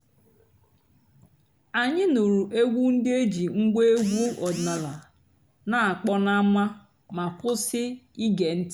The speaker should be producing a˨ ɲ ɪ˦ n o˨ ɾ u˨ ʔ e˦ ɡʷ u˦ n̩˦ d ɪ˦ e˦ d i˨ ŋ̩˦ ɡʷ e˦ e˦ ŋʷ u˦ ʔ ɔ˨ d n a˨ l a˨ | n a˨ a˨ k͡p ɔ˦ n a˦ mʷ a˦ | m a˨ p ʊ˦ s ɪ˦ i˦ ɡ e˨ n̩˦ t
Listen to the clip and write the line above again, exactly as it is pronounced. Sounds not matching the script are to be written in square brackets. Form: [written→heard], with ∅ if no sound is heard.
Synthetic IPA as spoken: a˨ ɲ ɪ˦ n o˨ ɾ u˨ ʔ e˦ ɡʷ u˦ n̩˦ d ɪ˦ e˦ [d→d͡ʒ] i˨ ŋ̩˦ ɡʷ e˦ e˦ [ŋʷ→ɡʷ] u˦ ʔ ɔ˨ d n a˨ l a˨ | n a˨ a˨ k͡p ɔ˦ n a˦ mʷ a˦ | m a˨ p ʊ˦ s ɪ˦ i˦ ɡ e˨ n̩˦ t